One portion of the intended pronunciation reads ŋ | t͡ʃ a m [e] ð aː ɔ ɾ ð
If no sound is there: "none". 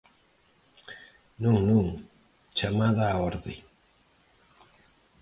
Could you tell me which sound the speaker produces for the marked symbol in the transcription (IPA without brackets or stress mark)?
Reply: a